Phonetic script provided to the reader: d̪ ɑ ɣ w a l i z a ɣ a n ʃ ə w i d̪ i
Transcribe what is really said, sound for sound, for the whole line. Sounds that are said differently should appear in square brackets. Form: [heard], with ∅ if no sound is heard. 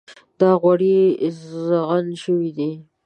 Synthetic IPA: d̪ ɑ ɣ w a [ɽ] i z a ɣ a n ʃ ə w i d̪ i